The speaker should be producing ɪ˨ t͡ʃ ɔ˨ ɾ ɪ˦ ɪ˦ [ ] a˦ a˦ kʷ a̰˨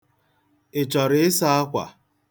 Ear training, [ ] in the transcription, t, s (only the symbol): s